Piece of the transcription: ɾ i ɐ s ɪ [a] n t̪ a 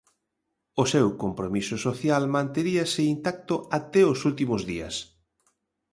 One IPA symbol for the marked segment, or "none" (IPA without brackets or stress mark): i